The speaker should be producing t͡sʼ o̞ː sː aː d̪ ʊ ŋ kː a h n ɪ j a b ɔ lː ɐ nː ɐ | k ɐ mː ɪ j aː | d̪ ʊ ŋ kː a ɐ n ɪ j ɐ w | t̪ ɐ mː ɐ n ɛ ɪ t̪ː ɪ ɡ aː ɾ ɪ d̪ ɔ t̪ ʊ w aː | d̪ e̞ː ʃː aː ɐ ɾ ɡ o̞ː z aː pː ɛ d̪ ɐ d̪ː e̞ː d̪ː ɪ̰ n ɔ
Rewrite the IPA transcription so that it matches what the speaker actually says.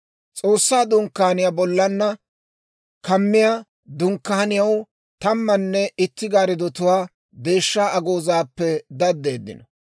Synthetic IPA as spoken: t͡sʼ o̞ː sː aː d̪ ʊ ŋ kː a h n ɪ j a b ɔ lː ɐ nː ɐ | k ɐ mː ɪ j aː | d̪ ʊ ŋ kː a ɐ n ɪ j ɐ w | t̪ ɐ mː ɐ nː ɛ ɪ t̪ː ɪ ɡ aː ɾ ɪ d̪ ɔ t̪ ʊ w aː | d̪ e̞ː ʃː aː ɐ ɡ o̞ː z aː pː ɛ d̪ ɐ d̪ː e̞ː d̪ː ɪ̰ n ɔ

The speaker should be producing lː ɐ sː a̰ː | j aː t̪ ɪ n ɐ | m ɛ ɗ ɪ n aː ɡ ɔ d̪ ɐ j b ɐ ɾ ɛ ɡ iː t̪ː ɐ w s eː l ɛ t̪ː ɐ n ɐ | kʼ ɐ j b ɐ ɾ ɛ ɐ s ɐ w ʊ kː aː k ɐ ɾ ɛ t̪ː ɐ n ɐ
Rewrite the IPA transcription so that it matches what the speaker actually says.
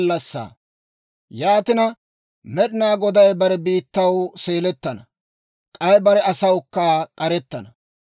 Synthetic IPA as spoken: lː ɐ sː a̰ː | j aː t̪ ɪ n ɐ | m ɛ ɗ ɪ n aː ɡ ɔ d̪ ɐ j b ɐ ɾ ɛ b iː t̪ː ɐ w s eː l ɛ t̪ː ɐ n ɐ | kʼ ɐ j b ɐ ɾ ɛ ɐ s ɐ w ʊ kː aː kʼ ɐ ɾ ɛ t̪ː ɐ n ɐ

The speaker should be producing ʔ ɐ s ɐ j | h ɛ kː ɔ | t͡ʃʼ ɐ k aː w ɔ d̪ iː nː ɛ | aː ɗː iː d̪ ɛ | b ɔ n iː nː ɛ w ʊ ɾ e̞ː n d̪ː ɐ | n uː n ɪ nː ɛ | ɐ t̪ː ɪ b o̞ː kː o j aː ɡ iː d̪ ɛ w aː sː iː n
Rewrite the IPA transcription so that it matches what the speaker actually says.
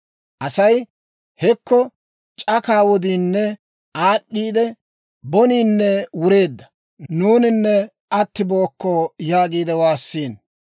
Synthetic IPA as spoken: ʔ ɐ s ɐ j | h ɛ kː ɔ | t͡ʃʼ ɐ k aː w ɔ d̪ iː nː ɛ | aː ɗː iː d̪ ɛ | b ɔ n iː nː ɛ w ʊ ɾ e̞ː d̪ː ɐ | n uː n ɪ nː ɛ | ɐ t̪ː ɪ b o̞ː kː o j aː ɡ iː d̪ ɛ w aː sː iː n

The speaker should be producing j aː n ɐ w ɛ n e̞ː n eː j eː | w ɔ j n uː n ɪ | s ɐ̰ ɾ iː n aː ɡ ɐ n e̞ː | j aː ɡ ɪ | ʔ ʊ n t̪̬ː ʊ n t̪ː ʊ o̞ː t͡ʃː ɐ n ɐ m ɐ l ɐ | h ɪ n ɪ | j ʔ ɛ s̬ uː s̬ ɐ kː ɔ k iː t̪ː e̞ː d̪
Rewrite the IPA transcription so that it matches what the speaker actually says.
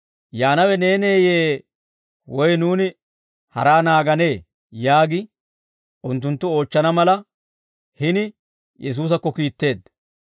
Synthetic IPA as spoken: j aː n ɐ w ɛ n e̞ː n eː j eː | w ɔ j n uː n ɪ | h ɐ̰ ɾ aː n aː ɡ ɐ n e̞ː | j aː ɡ ɪ | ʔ ʊ n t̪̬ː ʊ n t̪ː ʊ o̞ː t͡ʃː ɐ n ɐ m ɐ l ɐ | h ɪ n ɪ | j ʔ ɛ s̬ uː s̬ ɐ kː ɔ k iː t̪ː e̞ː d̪

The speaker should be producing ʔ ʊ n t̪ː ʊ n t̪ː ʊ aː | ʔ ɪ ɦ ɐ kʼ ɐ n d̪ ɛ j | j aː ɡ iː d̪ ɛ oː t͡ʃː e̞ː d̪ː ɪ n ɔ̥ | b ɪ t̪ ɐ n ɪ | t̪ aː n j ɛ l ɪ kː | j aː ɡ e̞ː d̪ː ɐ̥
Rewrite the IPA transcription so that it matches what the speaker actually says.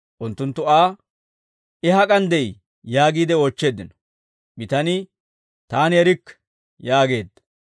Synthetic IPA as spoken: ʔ ʊ n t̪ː ʊ n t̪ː ʊ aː | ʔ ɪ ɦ ɐ kʼ ɐ n d̪ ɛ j | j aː ɡ iː d̪ ɛ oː t͡ʃː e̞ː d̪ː ɪ n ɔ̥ | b ɪ t̪ ɐ n ɪ | t̪ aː n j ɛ ɾ ɪ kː | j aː ɡ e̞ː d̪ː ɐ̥

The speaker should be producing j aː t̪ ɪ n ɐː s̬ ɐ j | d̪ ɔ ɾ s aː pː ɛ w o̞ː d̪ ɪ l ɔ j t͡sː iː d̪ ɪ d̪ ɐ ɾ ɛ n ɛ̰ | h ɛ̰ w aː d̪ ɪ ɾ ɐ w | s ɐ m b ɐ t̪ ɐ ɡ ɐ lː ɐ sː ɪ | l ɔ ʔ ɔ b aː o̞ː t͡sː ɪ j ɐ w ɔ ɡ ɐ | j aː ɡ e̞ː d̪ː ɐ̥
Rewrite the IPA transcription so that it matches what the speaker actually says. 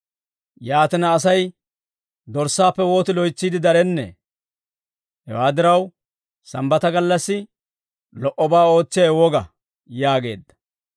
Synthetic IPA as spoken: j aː t̪ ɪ n ɐː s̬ ɐ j | d̪ ɔ ɾ s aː pː ɛ w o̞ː t̪ ɪ l ɔ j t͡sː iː d̪ ɪ d̪ ɐ ɾ ɛ nː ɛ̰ | h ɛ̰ w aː d̪ ɪ ɾ ɐ w | s ɐ m b ɐ t̪ ɐ ɡ ɐ lː ɐ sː ɪ | l ɔ ʔ ɔ b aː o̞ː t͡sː ɪ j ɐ w ɔ ɡ ɐ | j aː ɡ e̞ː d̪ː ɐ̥

